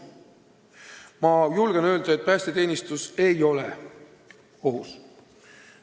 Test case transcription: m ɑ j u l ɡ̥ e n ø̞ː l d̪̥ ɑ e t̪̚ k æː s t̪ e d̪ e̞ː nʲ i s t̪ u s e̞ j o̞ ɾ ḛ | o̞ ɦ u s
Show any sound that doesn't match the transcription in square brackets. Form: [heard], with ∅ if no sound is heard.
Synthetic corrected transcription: m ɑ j u l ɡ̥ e n ø̞ː l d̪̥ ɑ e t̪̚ [p] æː s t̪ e [t̪] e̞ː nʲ i s t̪ u s e̞ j o̞ [l] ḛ | o̞ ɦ u s